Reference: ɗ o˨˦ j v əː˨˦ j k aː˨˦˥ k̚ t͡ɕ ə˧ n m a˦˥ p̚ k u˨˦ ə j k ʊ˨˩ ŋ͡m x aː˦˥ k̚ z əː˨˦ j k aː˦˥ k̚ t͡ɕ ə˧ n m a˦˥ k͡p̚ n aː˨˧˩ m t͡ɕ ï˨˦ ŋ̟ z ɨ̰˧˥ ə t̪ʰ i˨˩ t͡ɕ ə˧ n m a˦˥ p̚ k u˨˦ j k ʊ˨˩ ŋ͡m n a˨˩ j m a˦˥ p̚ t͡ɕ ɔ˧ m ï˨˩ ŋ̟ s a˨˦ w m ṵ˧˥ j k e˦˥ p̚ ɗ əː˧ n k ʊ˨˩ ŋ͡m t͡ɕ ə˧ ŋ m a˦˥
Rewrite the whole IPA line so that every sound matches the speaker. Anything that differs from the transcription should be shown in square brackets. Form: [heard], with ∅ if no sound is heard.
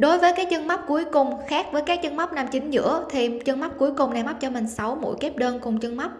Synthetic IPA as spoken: ɗ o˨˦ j v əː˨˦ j k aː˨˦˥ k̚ t͡ɕ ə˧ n m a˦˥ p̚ k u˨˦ ə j k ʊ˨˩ ŋ͡m x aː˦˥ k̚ [v] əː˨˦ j k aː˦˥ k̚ t͡ɕ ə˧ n m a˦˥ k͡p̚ n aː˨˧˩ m t͡ɕ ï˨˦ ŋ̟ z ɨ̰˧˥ ə t̪ʰ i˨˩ t͡ɕ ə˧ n m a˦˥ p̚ k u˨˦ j k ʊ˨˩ ŋ͡m n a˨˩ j m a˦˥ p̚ t͡ɕ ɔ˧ m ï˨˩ ŋ̟ s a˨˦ w m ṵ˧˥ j k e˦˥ p̚ ɗ əː˧ n k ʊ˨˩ ŋ͡m t͡ɕ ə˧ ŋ m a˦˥